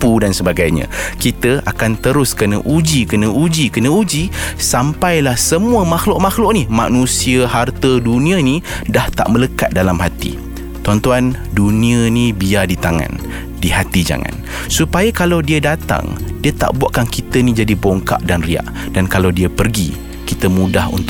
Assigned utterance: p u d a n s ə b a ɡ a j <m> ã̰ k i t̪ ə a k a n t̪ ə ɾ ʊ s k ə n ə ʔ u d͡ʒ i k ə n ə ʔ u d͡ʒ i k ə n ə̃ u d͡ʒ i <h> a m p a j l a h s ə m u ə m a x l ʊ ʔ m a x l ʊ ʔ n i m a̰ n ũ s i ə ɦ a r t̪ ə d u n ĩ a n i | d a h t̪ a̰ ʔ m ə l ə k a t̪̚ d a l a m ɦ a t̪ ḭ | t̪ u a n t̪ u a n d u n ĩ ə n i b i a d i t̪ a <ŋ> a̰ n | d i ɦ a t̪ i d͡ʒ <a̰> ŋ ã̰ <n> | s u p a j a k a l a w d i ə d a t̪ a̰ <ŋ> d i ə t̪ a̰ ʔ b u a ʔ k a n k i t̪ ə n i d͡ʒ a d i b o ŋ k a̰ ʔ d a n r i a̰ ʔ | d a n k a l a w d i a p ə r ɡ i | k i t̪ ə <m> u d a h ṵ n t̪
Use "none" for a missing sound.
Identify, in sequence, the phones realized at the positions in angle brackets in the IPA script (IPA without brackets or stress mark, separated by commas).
ɲ, s, ŋ, a̰, n, ŋ, m